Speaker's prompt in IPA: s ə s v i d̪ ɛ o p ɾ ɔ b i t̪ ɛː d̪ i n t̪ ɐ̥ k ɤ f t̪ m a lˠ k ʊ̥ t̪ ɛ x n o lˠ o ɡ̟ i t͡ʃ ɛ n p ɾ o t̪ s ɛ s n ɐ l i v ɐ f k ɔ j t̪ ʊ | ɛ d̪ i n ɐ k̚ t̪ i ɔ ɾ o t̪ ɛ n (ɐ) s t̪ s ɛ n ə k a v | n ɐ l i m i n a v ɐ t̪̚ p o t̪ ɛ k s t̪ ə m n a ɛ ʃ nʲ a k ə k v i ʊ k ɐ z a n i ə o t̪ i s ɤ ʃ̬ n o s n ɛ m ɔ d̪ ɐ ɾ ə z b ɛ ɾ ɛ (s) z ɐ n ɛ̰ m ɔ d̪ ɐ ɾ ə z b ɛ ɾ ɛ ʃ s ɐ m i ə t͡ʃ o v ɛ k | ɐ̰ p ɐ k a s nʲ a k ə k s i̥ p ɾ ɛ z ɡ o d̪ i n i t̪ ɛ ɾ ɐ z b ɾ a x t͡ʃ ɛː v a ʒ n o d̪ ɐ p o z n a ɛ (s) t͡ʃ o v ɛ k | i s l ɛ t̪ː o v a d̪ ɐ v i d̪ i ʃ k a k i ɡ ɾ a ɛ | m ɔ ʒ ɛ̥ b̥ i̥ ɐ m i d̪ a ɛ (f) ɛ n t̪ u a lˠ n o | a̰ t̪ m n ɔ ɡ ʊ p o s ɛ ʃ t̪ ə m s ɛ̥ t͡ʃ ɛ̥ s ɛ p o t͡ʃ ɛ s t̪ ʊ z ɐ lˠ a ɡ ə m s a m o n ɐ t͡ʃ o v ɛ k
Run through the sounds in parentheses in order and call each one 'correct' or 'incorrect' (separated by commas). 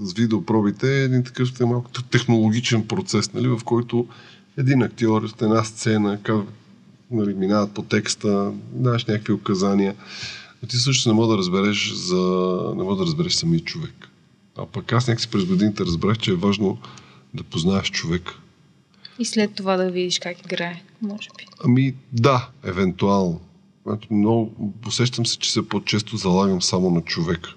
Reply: incorrect, incorrect, incorrect, incorrect